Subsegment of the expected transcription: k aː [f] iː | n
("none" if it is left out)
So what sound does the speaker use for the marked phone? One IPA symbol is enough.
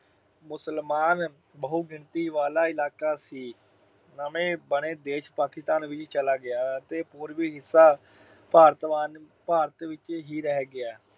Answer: s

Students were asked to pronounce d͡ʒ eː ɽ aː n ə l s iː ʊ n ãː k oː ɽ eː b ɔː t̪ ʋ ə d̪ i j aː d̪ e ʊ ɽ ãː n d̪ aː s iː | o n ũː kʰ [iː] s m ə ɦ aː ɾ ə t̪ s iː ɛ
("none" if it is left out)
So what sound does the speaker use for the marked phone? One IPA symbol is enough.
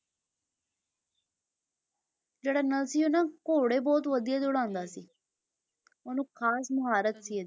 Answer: aː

